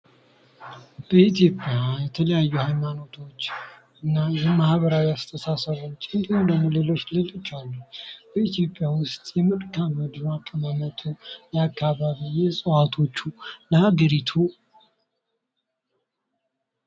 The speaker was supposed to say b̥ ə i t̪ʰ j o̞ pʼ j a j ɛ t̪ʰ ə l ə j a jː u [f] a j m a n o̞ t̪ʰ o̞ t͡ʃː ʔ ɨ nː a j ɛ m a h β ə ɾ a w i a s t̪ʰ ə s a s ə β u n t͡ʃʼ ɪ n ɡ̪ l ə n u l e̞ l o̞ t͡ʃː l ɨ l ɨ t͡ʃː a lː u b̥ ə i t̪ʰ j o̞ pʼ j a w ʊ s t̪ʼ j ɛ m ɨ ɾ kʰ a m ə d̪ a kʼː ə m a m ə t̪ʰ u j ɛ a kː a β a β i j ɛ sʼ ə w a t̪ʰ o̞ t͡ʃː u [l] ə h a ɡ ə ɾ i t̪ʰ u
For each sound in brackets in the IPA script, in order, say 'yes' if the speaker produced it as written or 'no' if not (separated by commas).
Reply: no, yes